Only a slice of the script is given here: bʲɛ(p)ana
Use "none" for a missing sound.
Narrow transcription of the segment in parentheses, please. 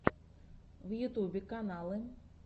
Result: k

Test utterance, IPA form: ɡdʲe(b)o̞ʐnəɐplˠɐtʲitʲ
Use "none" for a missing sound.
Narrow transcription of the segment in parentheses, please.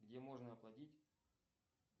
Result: m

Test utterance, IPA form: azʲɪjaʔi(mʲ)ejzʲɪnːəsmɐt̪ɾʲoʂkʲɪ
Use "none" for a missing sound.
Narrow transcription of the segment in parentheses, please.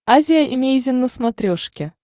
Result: mʲ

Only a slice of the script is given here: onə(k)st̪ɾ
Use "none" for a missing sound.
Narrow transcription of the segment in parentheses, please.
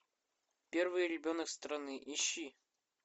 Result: k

